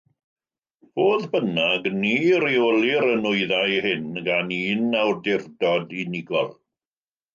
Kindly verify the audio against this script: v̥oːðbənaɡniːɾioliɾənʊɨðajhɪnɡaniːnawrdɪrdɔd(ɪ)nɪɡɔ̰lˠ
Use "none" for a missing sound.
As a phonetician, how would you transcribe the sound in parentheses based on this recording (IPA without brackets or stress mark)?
i